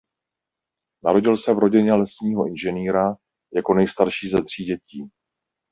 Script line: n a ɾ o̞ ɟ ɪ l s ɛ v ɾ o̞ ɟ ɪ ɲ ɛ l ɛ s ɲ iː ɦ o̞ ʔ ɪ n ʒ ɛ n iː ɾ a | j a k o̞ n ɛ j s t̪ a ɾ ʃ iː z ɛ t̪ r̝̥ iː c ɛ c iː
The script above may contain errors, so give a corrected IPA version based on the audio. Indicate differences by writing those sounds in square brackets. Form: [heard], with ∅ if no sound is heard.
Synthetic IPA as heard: n a ɾ o̞ ɟ ɪ l s ɛ v ɾ o̞ ɟ ɪ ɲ ɛ l ɛ s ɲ iː ɦ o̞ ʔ ɪ n ʒ ɛ n iː ɾ a | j a k o̞ n ɛ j s t̪ a ɾ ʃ iː z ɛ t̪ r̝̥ iː [ɟ] ɛ c iː